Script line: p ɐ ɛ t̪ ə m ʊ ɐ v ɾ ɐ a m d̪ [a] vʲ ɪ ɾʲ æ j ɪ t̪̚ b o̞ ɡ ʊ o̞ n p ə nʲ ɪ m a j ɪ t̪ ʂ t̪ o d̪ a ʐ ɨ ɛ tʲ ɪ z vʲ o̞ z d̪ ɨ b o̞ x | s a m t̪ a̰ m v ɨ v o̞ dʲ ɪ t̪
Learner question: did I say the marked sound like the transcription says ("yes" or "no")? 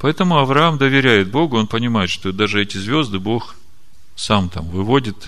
no